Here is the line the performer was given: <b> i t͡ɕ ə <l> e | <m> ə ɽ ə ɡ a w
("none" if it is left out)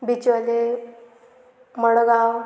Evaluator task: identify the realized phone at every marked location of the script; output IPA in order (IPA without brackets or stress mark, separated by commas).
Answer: b, l, m